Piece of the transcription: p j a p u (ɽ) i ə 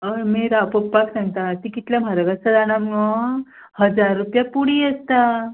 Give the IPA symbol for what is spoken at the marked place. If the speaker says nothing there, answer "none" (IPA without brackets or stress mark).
ɽ